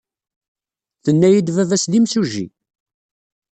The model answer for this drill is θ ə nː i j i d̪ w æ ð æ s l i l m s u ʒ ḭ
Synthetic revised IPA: θ ə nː æ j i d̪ v æ v æ s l i m s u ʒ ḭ